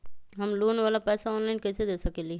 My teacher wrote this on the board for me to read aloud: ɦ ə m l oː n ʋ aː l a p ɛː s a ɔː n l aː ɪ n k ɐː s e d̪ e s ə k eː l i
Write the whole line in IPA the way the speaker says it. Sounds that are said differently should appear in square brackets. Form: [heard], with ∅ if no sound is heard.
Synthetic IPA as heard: ɦ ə m l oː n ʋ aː l a p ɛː s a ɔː n l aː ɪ n k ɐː s e d̪ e s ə k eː l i